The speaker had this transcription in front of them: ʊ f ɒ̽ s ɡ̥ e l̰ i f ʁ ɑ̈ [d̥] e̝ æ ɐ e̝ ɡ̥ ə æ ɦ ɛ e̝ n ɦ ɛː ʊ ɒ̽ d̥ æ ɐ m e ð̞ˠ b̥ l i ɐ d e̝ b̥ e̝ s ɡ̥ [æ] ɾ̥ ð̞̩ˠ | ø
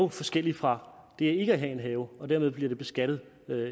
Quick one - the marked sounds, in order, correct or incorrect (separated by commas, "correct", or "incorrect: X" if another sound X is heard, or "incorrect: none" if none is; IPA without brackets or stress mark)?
correct, correct